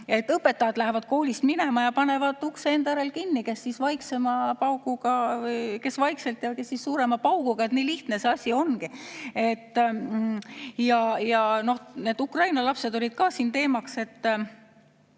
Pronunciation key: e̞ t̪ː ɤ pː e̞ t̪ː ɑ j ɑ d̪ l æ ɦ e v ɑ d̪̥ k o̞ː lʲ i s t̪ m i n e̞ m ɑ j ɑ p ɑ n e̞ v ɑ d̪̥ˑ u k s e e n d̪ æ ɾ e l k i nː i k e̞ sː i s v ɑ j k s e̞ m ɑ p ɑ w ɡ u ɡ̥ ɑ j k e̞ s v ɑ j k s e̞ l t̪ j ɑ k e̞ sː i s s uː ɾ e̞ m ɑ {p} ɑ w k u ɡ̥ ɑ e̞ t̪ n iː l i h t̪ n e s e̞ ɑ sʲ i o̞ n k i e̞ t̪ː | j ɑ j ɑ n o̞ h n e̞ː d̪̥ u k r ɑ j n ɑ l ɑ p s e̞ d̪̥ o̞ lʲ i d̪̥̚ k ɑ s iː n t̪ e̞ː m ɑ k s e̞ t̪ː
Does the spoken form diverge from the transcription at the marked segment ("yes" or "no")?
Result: no